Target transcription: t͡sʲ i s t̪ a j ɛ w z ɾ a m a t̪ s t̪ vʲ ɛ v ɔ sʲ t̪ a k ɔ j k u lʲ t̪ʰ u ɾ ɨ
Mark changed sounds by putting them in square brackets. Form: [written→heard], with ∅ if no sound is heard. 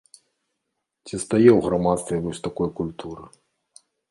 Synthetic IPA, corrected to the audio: t͡sʲ i s t̪ a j ɛ w [z→ɣ] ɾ a m a t̪ s t̪ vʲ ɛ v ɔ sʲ t̪ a k ɔ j k u lʲ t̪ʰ u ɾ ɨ